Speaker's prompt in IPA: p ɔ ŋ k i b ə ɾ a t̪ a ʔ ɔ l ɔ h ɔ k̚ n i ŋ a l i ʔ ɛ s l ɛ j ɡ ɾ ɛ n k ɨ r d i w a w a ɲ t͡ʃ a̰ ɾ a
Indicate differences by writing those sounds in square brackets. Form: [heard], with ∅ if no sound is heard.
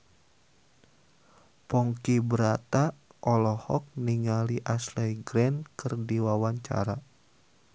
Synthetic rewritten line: p ɔ ŋ k i b ə ɾ a t̪ a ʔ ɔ l ɔ h ɔ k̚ n i ŋ a l i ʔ [a] s l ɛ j ɡ ɾ ɛ n k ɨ r d i w a w a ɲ t͡ʃ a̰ ɾ a